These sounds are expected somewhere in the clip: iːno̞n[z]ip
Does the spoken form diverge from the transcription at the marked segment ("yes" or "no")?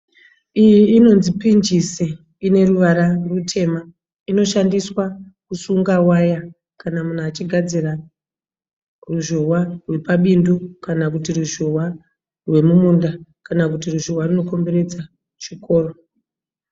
no